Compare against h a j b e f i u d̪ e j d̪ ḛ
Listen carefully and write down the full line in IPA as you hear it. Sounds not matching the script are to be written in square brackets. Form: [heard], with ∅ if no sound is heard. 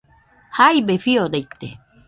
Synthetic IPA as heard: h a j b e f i [o] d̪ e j [t̪] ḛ